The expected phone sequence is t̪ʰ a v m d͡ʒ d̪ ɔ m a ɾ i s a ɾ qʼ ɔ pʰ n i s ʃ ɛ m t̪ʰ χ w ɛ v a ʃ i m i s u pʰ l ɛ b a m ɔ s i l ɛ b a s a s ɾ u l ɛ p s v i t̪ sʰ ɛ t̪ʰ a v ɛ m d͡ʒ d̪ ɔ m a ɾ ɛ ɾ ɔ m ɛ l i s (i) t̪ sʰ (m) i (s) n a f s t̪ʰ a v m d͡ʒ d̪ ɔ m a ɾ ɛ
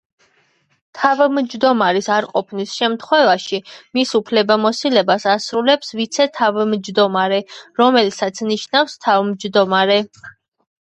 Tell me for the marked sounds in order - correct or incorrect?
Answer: incorrect, incorrect, incorrect

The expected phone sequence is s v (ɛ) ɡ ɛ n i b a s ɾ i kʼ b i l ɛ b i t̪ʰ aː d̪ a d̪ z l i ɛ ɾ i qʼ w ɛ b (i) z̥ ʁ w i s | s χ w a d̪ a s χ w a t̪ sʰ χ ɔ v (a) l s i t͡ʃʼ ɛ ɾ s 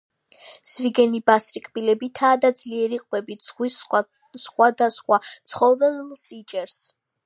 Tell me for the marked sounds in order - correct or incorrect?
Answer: incorrect, correct, incorrect

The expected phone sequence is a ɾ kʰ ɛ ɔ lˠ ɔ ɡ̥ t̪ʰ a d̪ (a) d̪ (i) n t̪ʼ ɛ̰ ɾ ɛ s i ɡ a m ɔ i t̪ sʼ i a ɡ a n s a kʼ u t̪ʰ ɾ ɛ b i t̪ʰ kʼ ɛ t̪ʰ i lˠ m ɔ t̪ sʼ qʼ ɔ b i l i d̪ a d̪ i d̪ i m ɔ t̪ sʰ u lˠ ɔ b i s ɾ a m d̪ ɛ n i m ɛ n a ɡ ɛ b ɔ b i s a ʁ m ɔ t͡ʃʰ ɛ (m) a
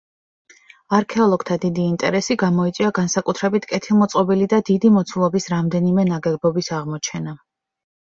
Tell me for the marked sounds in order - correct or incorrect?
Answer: incorrect, incorrect, incorrect

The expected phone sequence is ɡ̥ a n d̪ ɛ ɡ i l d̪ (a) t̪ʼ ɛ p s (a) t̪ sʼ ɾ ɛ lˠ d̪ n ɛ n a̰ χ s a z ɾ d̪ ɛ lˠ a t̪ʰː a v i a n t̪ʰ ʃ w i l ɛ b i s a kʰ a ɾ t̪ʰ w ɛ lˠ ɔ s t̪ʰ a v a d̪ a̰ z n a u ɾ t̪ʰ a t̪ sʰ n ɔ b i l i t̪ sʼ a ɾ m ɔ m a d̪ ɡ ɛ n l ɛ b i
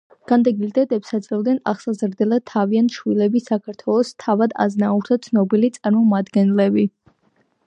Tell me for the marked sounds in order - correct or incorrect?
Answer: incorrect, correct

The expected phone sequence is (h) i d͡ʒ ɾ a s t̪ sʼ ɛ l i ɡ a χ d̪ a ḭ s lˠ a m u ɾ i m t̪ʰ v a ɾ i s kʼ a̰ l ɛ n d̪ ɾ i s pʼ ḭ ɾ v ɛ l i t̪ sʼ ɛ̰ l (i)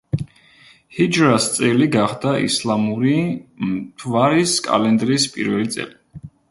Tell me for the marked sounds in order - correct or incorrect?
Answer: correct, correct

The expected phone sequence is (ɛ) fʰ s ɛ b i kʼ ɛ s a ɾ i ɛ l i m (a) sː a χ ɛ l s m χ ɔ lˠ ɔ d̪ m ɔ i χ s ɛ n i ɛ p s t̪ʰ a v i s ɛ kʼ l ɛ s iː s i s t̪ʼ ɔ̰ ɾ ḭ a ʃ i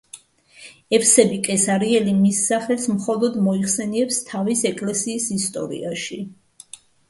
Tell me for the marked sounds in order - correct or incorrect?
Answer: correct, incorrect

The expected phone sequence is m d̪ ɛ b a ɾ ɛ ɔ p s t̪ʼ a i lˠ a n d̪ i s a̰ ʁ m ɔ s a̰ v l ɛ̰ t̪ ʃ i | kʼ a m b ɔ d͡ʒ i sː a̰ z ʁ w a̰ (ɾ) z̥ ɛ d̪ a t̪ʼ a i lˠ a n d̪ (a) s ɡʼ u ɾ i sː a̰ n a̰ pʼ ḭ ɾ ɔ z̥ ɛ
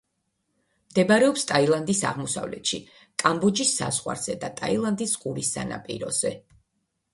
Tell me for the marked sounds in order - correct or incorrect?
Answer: correct, incorrect

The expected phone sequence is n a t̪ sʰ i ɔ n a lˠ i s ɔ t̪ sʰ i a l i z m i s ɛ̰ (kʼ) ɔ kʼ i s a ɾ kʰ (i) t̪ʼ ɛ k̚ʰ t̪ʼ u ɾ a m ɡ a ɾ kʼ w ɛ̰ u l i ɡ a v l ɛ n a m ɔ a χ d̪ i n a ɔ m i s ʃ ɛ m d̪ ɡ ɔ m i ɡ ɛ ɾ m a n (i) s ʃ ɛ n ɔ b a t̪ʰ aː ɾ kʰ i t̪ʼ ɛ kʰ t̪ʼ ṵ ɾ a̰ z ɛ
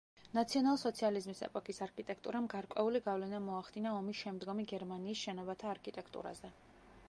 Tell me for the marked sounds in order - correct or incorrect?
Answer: incorrect, correct, incorrect

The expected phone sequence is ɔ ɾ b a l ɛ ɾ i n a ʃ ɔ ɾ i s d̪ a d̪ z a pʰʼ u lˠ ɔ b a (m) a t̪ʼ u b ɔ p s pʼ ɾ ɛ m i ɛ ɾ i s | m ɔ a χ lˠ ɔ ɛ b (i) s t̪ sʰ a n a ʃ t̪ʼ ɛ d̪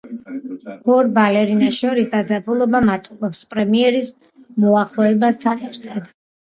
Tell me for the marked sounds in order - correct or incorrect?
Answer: correct, incorrect

